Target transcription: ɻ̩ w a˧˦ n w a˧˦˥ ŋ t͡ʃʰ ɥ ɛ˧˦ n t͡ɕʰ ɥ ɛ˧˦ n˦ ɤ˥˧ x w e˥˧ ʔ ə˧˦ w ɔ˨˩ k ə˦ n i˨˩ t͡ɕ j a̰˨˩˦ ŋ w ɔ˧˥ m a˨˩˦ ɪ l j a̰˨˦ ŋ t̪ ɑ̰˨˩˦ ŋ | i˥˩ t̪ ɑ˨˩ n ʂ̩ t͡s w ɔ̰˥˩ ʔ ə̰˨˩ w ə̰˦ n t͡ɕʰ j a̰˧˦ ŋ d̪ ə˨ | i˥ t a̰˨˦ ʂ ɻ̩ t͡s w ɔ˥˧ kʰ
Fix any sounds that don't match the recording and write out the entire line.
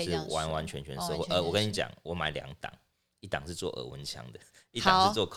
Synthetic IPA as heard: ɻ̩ w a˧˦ n w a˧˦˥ n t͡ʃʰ ɥ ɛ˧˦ n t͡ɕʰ ɥ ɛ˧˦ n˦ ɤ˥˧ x w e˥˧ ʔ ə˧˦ w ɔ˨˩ k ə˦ n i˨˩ t͡ɕ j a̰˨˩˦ ŋ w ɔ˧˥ m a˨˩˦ ɪ l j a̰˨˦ ŋ t̪ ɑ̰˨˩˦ ŋ | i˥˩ t̪ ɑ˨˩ ŋ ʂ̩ t͡s w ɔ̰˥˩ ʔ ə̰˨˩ w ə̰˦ n t͡ɕʰ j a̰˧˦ ŋ d̪ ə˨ | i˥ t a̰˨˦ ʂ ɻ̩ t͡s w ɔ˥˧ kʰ